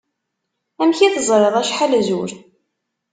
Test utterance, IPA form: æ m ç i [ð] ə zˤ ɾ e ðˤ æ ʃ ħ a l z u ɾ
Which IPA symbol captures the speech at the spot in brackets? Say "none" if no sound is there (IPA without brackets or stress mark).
θ